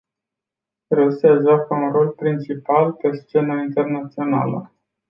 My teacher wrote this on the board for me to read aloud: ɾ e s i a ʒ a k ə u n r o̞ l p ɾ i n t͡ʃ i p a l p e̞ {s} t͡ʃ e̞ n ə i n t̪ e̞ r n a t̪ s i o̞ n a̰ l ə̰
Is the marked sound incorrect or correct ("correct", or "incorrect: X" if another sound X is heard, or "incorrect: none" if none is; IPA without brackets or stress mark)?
correct